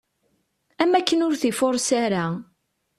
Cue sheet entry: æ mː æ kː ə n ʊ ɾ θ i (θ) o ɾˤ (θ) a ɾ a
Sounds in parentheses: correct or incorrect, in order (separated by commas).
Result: incorrect, incorrect